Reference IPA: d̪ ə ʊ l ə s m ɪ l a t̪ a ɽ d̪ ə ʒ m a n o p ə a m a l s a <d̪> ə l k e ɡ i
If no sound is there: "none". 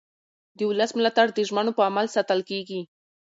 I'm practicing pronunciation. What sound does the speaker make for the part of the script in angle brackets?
t̪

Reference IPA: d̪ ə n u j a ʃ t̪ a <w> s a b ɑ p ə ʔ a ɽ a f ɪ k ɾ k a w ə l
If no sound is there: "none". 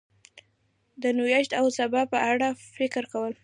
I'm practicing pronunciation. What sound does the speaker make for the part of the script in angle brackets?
w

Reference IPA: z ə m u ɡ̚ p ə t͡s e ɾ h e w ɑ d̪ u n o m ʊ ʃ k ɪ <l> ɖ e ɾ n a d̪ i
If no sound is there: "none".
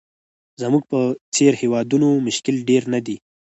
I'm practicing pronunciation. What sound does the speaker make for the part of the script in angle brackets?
l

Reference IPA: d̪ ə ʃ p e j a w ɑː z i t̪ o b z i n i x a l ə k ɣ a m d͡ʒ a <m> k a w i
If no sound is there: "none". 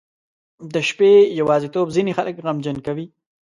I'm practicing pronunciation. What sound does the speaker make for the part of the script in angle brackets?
n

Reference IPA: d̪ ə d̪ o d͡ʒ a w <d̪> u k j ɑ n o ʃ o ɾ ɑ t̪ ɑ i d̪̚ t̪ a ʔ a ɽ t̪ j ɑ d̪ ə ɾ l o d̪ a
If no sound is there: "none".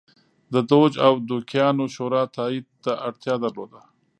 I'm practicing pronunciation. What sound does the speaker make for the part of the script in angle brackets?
d̪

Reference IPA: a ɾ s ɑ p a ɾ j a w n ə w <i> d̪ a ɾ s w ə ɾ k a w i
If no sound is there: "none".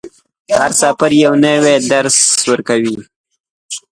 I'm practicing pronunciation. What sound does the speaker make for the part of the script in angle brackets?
e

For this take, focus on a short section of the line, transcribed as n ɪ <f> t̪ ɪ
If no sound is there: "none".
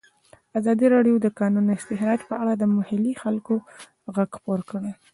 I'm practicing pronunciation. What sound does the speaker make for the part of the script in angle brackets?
s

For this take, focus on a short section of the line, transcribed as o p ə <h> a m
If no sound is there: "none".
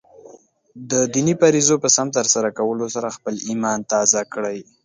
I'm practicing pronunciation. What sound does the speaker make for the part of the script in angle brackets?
s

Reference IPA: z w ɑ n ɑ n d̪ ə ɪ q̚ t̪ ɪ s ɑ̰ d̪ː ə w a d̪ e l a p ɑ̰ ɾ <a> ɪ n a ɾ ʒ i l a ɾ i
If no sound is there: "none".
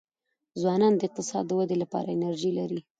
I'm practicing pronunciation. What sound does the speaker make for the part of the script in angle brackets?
a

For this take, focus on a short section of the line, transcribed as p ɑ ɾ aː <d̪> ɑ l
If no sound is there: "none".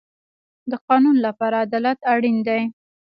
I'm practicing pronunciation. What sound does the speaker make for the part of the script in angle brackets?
d̪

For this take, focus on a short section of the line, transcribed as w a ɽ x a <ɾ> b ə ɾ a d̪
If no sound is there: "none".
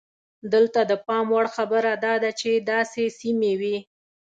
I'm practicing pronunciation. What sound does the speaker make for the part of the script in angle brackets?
none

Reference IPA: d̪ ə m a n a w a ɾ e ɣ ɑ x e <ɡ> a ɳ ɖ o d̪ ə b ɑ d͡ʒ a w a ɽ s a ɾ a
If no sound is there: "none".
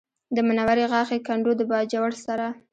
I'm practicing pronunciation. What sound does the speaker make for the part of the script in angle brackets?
k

